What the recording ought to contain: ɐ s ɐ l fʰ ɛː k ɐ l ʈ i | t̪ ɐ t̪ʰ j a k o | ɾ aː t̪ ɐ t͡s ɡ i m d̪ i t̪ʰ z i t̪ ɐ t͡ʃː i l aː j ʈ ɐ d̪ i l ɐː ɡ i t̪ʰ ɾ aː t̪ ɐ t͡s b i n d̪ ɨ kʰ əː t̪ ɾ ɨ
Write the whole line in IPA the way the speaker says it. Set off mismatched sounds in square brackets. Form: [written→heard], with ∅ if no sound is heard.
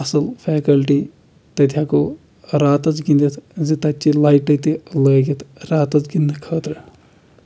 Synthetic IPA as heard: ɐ s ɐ l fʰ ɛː k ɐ l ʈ i | t̪ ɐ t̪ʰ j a k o | ɾ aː t̪ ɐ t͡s ɡ i [m→n] d̪ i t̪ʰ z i t̪ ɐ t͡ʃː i l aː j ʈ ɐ [d̪→t̪] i l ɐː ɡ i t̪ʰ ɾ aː t̪ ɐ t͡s [b→ɡ] i n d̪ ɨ kʰ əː t̪ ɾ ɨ